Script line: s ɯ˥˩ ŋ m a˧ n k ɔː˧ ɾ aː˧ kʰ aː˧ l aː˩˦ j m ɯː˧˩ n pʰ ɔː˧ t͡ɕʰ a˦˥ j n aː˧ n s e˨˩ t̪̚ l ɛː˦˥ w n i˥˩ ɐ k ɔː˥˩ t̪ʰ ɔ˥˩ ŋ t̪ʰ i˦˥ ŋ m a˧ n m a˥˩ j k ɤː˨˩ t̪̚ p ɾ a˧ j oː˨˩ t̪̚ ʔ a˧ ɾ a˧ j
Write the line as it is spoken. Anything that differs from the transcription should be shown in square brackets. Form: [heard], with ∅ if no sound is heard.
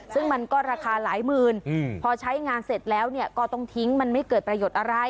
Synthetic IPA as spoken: s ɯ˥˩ ŋ m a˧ n k [ɔː˥˩] ɾ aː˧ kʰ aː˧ l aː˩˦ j m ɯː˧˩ n pʰ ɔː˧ t͡ɕʰ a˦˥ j [ŋ] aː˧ n s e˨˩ t̪̚ l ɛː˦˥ w n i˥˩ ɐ k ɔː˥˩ [t̪] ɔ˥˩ ŋ t̪ʰ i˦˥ ŋ m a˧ n m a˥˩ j k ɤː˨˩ t̪̚ p ɾ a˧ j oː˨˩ t̪̚ ʔ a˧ ɾ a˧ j